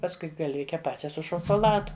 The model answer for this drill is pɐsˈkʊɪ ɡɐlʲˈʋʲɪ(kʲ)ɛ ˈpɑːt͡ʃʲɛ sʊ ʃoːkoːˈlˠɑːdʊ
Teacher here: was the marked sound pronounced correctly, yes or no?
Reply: yes